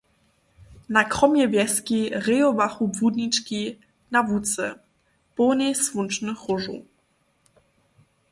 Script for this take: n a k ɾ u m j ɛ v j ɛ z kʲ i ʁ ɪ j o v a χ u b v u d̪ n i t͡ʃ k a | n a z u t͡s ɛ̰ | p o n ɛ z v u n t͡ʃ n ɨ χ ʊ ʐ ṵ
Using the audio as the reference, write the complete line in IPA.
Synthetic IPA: n a k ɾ ɔ m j ɛ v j ɛ s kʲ i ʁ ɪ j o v a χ u b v u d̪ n i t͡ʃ k i | n a v u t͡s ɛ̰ | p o n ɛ s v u n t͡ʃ n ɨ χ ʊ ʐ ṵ

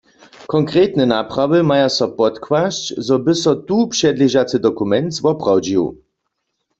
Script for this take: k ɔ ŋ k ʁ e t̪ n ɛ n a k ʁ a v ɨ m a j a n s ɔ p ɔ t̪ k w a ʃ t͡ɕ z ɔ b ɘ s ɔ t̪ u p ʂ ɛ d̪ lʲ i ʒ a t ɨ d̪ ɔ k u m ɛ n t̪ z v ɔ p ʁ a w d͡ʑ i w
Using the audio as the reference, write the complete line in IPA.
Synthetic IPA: k ɔ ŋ k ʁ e t̪ n ɛ n a p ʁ a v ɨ m a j a s ɔ p ɔ t̪ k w a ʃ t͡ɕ z ɔ b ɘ s ɔ t̪ u p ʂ ɛ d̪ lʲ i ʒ a t͡s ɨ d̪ ɔ k u m ɛ n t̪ z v ɔ p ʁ a w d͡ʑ i w

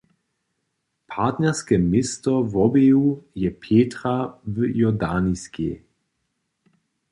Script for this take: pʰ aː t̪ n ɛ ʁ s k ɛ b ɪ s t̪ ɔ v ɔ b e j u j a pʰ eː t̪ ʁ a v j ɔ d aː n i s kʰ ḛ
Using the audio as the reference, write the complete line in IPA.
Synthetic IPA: pʰ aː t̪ n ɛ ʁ s k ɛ m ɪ s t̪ ɔ v ɔ b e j u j ɛ pʰ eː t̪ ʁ a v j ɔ d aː n i s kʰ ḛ

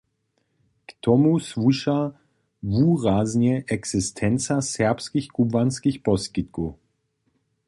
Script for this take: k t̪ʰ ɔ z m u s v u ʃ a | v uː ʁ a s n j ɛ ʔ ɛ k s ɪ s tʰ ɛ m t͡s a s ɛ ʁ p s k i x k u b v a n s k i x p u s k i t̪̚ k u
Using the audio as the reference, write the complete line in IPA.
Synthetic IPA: k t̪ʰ ɔ m u s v u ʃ a | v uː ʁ a z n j ɛ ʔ ɛ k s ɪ s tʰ ɛ n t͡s a s ɛ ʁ p s k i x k u b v a n s k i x p ɔ s k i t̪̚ k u

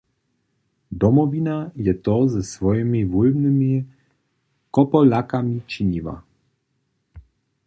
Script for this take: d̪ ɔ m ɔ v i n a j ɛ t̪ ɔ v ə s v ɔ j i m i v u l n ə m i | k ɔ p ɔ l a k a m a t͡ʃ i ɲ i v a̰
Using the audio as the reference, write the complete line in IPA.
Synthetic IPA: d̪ ɔ m ɔ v i n a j ɛ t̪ ɔ z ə s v ɔ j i m i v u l n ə m i | k ɔ p ɔ l a k a m i t͡ʃ i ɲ i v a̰

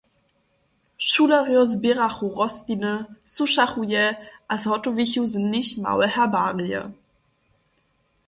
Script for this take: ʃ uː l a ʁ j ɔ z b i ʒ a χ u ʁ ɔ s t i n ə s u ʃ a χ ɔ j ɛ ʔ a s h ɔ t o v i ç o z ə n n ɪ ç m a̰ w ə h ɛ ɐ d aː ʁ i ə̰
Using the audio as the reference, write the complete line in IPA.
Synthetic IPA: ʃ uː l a ʁ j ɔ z b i ʁ a χ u ʁ ɔ s t i n ə s u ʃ a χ u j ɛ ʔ a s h ɔ t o v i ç u z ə n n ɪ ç m a̰ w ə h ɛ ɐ b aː ʁ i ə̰

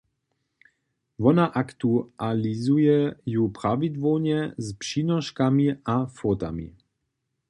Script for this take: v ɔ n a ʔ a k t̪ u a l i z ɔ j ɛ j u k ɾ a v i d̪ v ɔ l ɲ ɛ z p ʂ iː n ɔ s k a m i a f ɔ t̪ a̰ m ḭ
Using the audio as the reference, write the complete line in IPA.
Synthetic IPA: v ɔ n a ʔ a k t̪ u a l i z u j ɛ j u p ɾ a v i d̪ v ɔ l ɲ ɛ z p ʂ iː n ɔ ʃ k a m i a f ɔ t̪ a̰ m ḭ

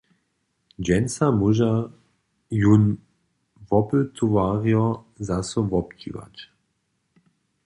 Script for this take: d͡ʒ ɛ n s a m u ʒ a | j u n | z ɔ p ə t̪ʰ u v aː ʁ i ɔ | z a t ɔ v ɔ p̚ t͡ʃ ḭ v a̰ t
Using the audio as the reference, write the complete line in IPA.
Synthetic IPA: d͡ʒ ɛ n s a m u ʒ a | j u n | v ɔ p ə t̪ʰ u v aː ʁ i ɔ | z a s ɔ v ɔ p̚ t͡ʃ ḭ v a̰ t

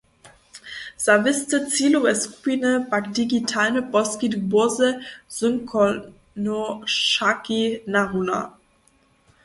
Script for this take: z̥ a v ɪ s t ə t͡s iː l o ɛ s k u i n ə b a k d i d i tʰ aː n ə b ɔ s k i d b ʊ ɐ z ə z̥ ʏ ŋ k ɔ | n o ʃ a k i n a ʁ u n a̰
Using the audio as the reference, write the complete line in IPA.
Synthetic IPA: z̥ a v ɪ s t ə t͡s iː l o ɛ s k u i n ə b a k d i ɡ i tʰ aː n ə b ɔ s k i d b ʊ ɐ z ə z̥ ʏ ŋ k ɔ | n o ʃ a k i n a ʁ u n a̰

